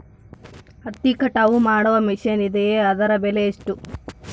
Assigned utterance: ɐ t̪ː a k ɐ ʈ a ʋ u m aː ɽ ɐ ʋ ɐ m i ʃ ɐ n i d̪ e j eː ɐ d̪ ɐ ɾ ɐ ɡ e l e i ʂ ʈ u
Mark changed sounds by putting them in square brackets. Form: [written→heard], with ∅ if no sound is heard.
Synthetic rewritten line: ɐ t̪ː [a→i] k ɐ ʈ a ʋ u m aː ɽ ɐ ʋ ɐ m i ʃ ɐ n i d̪ e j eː ɐ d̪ ɐ ɾ ɐ [ɡ→b] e l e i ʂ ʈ u